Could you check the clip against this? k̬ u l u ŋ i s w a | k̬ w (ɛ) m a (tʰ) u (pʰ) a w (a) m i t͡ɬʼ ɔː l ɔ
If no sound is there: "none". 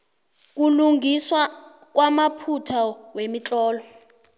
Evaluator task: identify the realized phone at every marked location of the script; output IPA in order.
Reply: a, pʰ, tʰ, e

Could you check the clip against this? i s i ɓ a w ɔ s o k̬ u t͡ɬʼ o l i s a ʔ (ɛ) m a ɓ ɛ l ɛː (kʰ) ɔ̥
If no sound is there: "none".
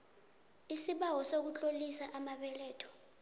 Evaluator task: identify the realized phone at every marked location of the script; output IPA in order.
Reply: a, tʰ

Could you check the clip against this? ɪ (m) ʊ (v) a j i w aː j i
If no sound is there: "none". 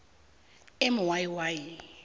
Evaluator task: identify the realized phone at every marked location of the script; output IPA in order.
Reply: m, w

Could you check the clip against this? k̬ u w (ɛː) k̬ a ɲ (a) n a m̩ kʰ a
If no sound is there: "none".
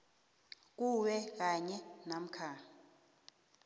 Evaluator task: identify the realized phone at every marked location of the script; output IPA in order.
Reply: ɛ, ɛ

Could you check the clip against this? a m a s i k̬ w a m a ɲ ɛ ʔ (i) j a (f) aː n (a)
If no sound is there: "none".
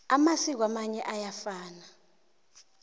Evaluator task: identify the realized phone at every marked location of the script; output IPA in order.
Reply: a, f, a

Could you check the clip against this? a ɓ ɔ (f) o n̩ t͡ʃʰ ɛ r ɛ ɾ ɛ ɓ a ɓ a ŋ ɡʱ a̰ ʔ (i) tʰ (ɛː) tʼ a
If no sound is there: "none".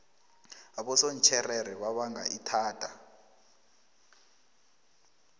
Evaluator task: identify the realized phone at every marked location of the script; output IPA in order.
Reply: s, i, aː

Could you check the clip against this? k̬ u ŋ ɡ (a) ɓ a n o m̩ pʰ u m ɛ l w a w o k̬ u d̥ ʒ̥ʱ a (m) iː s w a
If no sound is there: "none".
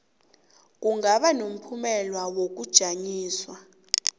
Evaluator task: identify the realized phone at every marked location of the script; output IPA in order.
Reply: a, ɲ

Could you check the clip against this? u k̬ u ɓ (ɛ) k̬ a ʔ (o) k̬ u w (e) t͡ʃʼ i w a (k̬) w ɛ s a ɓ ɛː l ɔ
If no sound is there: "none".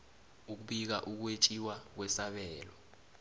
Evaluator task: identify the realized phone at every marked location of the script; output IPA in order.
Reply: i, u, e, k̬

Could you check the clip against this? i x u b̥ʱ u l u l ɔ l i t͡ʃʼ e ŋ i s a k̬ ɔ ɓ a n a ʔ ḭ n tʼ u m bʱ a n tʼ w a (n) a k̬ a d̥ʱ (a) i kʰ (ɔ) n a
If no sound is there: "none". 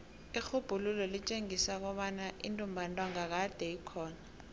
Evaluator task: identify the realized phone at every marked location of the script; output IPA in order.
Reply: ŋ, ɛ, ɔː

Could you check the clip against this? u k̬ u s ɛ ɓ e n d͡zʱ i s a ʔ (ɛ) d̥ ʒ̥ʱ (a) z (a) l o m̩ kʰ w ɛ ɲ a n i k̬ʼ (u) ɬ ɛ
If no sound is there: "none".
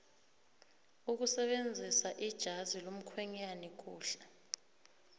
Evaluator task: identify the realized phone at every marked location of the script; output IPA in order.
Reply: i, a, i, uː

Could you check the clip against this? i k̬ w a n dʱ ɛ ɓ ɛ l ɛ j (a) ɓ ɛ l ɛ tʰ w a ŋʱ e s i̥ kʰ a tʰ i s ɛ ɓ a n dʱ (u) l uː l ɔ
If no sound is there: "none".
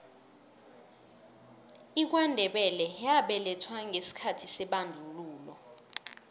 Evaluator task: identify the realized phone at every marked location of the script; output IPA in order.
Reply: a, u

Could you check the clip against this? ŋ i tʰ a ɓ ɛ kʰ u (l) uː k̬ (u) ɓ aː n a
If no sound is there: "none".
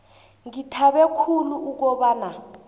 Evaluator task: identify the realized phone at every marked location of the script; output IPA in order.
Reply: l, ɔ

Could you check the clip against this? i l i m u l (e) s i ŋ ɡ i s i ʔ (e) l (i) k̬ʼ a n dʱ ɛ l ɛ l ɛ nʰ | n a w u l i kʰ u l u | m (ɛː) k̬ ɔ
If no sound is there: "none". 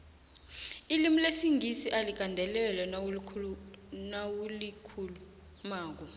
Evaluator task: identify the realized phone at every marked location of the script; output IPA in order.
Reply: e, a, i, aː

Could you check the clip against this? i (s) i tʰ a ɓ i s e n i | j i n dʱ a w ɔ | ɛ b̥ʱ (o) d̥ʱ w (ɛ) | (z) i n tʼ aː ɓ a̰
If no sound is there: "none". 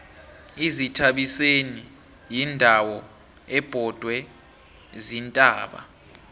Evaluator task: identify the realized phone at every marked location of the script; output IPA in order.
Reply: z, ɔ, ɛ, z

